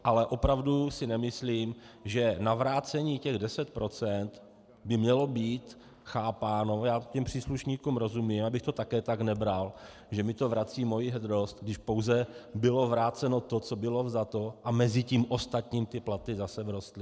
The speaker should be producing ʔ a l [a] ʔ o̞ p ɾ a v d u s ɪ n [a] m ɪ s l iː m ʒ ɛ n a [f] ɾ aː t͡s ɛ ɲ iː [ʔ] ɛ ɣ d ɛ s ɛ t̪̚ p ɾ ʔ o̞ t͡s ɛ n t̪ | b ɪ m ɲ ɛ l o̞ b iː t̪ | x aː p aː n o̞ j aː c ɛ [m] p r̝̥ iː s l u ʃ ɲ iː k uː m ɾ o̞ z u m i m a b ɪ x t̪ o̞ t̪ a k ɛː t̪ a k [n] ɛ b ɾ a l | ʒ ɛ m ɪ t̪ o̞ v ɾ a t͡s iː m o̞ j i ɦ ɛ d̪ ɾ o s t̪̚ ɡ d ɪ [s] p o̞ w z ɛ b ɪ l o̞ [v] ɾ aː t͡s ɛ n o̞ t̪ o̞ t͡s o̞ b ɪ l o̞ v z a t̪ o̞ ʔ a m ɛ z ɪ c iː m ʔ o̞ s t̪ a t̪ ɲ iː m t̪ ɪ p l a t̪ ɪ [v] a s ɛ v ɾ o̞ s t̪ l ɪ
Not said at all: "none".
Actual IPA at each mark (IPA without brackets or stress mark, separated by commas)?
ɛ, ɛ, v, c, m, n, ʃ, v, z